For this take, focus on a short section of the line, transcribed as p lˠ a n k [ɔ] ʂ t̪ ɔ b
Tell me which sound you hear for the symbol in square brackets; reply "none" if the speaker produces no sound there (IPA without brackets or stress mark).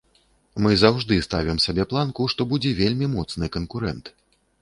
u